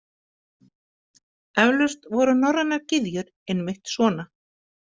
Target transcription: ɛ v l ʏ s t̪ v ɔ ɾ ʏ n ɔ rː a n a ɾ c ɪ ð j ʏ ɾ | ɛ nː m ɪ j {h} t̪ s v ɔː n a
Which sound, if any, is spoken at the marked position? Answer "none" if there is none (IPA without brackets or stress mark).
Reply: h